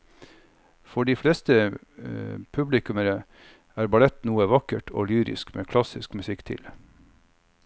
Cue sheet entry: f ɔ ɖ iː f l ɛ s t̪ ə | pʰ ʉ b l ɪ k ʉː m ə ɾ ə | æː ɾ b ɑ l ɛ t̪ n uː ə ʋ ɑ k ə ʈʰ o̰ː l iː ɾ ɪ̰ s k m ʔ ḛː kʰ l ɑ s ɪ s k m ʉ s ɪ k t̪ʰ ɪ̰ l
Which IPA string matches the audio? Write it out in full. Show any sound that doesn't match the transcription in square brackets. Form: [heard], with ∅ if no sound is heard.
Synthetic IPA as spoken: f ɔ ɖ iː f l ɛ s t̪ ə | pʰ ʉ b l ɪ k [ʉ] m ə ɾ ə | æː ɾ b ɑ l ɛ t̪ n uː ə ʋ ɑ k ə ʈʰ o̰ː l [yː] ɾ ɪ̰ s k m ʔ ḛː kʰ l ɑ s ɪ s k m ʉ s ɪ k t̪ʰ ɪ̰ l